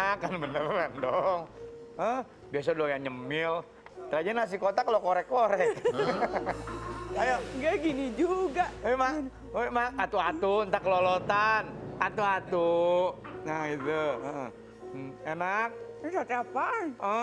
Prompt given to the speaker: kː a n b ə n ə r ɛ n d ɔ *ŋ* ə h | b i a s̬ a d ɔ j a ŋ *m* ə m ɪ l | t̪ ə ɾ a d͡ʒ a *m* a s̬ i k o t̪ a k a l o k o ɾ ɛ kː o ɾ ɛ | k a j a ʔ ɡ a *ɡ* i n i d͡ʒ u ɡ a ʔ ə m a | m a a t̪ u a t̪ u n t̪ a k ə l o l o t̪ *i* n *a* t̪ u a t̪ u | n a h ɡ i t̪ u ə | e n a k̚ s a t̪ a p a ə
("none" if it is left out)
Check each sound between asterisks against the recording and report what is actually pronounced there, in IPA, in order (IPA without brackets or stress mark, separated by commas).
ŋ, ɲ, n, ɡ, a, a